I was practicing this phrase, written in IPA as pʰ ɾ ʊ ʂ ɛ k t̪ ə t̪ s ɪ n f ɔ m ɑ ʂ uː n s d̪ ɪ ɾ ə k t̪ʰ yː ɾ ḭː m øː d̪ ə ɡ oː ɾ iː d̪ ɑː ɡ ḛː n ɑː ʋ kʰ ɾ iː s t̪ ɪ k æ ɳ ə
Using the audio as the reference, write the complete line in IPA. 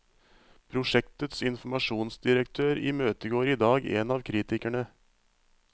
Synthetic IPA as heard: pʰ ɾ ʊ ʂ ɛ k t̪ ə t̪ s ɪ n f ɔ m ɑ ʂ uː n s d̪ ɪ ɾ ə k t̪ʰ øː ɾ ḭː m øː t̪ ə ɡ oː ɾ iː d̪ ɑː ɡ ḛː n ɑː ʋ kʰ ɾ iː t̪ ɪ k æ ɳ ə

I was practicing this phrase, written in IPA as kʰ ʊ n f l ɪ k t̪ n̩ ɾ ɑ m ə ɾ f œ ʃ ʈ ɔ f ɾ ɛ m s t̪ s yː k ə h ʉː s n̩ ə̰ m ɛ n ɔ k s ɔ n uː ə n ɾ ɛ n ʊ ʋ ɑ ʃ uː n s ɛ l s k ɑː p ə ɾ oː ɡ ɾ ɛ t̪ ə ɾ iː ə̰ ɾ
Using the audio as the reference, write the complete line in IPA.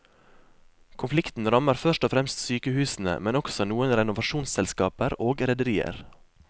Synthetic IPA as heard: kʰ ʊ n f l ɪ k t̪ n̩ ɾ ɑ m ə ɾ f œ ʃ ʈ ɔ f ɾ ɛ m s t̪ s yː k ə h ʉː s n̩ ə̰ m ɛ n ɔ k s ɔ n uː ə n ɾ ɛ n ʊ ʋ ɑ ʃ uː n s ɛ l s k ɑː p ə ɾ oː ɡ ɾ ɛ d̪ ə ɾ iː ə̰ ɾ

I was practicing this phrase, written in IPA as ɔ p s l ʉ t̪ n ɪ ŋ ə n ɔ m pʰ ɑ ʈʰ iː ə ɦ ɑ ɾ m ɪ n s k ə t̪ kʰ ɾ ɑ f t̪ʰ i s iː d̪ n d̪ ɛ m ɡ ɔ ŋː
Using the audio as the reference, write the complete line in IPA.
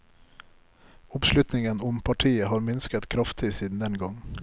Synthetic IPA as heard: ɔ p s l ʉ t̪ n ɪ ŋ ə n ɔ m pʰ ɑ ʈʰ iː ə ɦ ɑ ɾ m ɪ n s k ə t̪ kʰ ɾ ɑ f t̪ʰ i s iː d̪ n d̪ ɛ n ɡ ɔ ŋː

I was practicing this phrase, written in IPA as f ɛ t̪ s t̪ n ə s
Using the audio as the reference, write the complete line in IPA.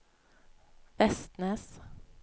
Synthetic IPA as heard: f ɛ s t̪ n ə s

